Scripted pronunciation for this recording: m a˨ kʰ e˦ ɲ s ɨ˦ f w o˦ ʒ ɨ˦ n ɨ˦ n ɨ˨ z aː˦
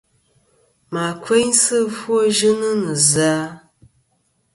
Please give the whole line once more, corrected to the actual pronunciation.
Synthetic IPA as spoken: m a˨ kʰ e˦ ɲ s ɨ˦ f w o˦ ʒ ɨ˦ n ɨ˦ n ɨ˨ z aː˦

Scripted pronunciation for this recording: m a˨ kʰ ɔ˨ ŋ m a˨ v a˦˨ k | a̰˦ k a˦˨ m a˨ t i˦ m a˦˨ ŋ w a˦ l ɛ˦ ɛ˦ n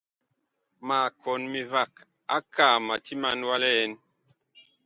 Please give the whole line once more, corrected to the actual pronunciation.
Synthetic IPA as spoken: m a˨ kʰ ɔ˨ n m i˨ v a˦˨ k | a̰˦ k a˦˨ m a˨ t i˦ m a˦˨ n w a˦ l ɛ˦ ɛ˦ n

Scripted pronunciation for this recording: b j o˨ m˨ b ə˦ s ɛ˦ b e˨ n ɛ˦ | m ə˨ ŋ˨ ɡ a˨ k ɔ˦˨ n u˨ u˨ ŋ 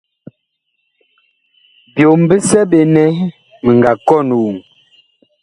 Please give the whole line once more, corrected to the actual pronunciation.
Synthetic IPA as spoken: b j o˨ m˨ b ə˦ s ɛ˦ b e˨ n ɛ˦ | m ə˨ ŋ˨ ɡ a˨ k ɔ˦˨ n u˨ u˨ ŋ

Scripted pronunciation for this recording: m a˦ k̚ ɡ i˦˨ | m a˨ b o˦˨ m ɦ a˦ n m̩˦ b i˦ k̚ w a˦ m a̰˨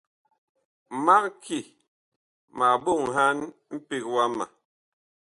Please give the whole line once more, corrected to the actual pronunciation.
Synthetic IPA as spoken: m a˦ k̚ k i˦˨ | m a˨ b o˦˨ ŋ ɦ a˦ n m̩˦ p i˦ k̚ w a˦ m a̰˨

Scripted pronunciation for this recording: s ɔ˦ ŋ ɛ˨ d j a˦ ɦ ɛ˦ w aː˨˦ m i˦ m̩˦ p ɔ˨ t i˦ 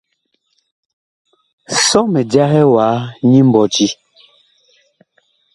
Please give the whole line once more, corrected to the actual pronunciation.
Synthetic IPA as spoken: s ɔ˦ m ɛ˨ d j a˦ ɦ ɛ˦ w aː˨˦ ɲ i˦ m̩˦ b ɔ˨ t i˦

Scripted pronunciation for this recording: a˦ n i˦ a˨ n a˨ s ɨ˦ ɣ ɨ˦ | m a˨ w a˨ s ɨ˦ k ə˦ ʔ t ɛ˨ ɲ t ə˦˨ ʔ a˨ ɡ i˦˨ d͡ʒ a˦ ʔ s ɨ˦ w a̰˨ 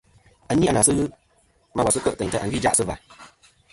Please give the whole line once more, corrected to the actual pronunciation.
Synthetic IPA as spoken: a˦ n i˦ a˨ n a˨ s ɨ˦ ɣ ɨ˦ | m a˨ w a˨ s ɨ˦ k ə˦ ʔ t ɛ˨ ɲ t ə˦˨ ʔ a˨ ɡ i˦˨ d͡ʒ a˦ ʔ s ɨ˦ v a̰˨

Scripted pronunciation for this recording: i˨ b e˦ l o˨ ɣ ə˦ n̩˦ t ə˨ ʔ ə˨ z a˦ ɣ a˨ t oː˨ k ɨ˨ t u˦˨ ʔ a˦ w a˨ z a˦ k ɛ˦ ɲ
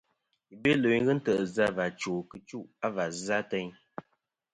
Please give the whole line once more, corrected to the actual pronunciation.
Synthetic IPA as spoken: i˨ b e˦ l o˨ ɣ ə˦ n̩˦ t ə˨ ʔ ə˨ z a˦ v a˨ t͡ʃ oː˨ k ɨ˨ t͡ʃ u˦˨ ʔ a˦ v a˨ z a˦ t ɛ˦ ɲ

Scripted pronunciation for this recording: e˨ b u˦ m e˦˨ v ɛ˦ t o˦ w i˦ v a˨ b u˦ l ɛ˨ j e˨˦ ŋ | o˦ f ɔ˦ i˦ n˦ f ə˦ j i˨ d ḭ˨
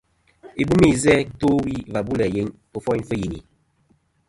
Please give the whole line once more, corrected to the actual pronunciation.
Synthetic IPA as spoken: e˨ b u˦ m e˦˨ z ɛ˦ t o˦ w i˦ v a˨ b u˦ l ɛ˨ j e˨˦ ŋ | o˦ f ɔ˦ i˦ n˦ f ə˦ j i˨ n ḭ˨

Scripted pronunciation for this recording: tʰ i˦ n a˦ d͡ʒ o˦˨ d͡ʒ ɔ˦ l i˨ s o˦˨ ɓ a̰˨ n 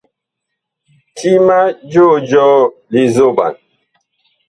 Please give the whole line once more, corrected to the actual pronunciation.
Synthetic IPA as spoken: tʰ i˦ m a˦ d͡ʒ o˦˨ d͡ʒ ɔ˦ l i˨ z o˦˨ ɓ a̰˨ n

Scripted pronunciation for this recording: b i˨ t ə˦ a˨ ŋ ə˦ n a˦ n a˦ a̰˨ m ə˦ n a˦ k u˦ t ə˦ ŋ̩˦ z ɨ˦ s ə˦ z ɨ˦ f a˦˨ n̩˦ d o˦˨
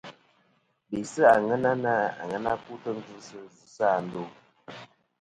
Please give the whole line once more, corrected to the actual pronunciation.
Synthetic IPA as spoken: b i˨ s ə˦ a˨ ŋ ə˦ n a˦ n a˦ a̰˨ ŋ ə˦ n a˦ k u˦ t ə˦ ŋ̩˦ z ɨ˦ s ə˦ z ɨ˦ s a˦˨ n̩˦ d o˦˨

